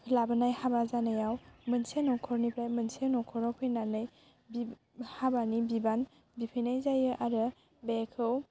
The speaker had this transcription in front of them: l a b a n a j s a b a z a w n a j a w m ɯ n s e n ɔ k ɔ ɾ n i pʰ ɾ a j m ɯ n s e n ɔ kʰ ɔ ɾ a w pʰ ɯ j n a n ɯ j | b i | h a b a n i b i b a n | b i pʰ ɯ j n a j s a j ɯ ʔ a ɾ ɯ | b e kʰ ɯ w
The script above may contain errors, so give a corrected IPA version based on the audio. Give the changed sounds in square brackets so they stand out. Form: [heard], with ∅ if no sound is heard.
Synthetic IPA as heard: l a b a n a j [h] a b a z a [∅] n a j a w m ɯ n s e n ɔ [kʰ] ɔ ɾ n i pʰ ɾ a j m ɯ n s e n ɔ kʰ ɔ ɾ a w pʰ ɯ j n a n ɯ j | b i | h a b a n i b i b a n | b i pʰ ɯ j n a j [z] a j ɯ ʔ a ɾ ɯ | b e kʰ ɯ w